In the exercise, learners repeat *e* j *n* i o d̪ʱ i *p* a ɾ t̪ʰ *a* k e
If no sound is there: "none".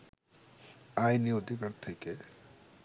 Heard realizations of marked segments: a, n, k, e

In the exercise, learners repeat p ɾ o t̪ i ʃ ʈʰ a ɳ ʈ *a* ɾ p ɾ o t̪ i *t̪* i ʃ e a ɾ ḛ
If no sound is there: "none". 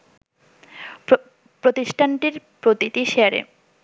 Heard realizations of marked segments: i, t̪

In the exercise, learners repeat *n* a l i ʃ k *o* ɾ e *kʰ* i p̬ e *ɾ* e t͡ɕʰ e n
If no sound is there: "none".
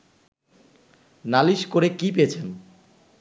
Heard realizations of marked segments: n, o, k, none

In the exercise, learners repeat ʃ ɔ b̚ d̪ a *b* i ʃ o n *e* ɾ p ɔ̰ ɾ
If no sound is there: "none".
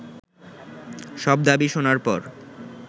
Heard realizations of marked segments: b, a

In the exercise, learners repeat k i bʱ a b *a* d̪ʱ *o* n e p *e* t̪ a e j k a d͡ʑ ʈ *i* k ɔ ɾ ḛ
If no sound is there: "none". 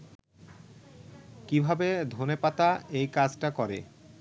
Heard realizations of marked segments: e, o, a, a

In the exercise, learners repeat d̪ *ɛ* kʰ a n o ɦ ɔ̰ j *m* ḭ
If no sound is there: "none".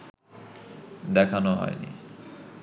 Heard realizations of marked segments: ɛ, n

